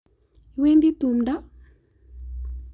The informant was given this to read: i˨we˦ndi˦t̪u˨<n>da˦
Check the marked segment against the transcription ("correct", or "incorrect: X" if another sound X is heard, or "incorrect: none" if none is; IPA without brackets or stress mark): incorrect: m